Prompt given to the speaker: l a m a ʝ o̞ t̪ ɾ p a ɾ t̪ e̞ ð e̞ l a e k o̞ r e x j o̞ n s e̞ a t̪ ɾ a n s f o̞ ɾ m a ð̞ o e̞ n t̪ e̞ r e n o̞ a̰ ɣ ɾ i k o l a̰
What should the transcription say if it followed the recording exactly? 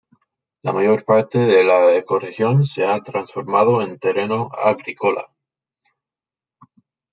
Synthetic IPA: l a m a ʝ o̞ ɾ p a ɾ t̪ e̞ ð e̞ l a e k o̞ r e x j o̞ n s e̞ a t̪ ɾ a n s f o̞ ɾ m a ð̞ o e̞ n t̪ e̞ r e n o̞ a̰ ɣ ɾ i k o l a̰

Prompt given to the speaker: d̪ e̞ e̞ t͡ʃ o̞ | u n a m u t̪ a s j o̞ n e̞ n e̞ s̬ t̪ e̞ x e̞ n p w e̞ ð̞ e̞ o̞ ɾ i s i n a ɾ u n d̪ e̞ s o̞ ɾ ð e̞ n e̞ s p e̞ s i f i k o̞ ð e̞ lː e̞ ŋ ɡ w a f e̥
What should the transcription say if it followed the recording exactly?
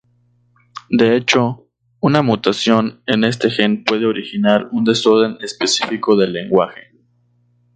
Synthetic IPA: d̪ e̞ e̞ t͡ʃ o̞ | u n a m u t̪ a s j o̞ n e̞ n e̞ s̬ t̪ e̞ x e̞ n p w e̞ ð̞ e̞ o̞ ɾ i x i n a ɾ u n d̪ e̞ s o̞ ɾ ð e̞ n e̞ s p e̞ s i f i k o̞ ð e̞ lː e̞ ŋ ɡ w a x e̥

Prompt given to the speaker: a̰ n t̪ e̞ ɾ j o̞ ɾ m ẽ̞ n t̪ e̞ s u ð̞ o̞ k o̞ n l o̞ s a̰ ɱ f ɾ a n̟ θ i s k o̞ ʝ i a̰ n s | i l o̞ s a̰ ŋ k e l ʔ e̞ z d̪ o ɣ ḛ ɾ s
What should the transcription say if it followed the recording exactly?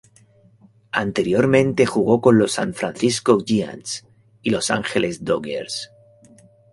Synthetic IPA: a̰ n t̪ e̞ ɾ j o̞ ɾ m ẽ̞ n t̪ e̞ x u ɣ̞ o̞ k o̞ n l o̞ s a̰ ɱ f ɾ a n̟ θ i s k o̞ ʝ i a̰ n s | i l o̞ s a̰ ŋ x e l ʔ e̞ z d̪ o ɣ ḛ ɾ s

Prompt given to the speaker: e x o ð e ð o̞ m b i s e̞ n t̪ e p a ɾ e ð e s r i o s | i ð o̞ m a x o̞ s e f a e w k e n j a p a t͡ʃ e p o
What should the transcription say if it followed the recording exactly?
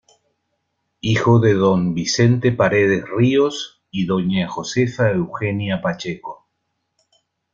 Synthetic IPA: i x o ð e ð o̞ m b i s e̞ n t̪ e p a ɾ e ð e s r i o s | i ð o̞ ɲ a x o̞ s e f a e w x e n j a p a t͡ʃ e k o

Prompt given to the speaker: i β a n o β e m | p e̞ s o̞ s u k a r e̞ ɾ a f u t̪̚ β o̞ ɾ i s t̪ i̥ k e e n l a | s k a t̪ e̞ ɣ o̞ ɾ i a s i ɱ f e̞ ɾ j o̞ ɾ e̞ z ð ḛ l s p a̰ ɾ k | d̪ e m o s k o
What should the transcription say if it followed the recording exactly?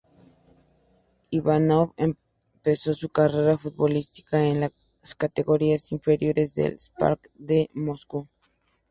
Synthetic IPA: i β a n o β e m | p e̞ s o̞ s u k a r e̞ ɾ a f u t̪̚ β o̞ l i s t̪ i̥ k a e n l a | s k a t̪ e̞ ɣ o̞ ɾ i a s i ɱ f e̞ ɾ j o̞ ɾ e̞ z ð ḛ l s p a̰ ɾ k | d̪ e m o s k u

